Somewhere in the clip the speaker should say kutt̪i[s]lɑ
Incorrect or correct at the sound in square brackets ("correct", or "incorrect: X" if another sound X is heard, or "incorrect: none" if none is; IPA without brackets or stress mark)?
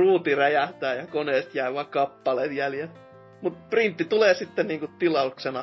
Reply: incorrect: none